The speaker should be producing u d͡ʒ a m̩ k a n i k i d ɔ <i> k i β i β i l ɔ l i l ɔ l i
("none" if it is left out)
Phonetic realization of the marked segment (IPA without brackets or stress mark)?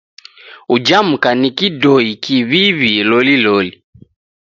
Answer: i